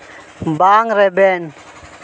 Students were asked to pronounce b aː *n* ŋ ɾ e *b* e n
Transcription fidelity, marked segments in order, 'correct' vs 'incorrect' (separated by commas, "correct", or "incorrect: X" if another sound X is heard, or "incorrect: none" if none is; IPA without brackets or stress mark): incorrect: none, correct